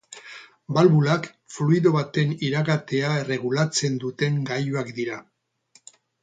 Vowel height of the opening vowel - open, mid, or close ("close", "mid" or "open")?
open